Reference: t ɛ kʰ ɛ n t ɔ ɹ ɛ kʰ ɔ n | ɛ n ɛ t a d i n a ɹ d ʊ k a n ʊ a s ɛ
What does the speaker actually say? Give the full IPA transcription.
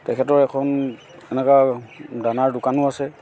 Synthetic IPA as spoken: t ɛ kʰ ɛ t ɔ ɹ ɛ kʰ ɔ n | ɛ n ɛ k a d a n a ɹ d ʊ k a n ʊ a s ɛ